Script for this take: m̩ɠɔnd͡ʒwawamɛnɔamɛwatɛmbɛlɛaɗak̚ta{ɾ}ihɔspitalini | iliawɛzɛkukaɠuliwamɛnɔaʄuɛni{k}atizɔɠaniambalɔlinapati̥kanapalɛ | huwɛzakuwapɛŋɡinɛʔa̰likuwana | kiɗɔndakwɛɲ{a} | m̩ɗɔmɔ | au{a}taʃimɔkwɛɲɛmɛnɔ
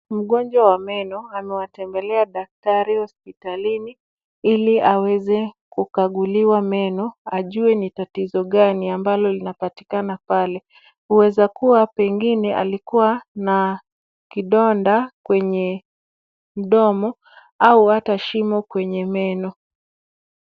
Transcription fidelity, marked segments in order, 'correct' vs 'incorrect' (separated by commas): correct, incorrect, incorrect, correct